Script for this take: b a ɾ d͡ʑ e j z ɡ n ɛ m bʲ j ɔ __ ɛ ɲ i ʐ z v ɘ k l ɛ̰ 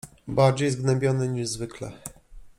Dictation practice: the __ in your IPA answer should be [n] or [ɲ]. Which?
n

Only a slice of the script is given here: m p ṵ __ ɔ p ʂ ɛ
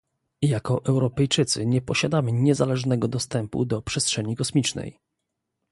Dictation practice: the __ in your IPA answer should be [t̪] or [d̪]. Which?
d̪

